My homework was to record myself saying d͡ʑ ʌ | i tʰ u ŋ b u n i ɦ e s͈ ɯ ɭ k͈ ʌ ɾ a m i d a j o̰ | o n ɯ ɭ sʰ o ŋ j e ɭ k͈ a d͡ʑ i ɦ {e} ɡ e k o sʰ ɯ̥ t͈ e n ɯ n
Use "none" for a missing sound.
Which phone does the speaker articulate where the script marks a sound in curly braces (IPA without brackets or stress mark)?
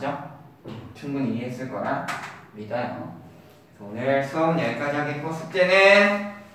a